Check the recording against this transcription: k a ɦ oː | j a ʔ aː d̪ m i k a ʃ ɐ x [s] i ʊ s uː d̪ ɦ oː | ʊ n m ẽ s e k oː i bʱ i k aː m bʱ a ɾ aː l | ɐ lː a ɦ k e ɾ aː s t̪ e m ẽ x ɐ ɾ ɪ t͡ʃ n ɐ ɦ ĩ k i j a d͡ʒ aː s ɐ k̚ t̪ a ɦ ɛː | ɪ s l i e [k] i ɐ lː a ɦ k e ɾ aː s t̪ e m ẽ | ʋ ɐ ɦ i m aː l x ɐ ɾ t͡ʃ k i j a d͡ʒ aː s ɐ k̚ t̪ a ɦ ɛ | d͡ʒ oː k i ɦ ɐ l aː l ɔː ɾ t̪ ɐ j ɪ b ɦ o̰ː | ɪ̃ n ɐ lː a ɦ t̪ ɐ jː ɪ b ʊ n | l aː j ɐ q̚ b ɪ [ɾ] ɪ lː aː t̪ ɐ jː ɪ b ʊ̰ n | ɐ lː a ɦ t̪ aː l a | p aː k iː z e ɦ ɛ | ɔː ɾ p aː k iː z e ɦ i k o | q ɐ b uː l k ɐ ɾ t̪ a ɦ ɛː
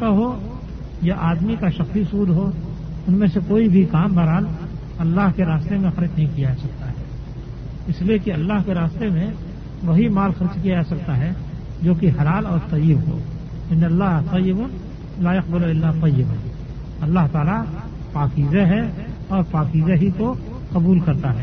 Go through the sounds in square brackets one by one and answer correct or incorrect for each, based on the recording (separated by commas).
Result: correct, correct, incorrect